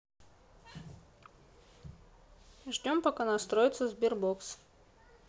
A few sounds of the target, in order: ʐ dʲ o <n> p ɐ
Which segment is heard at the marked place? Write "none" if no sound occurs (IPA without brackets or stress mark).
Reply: m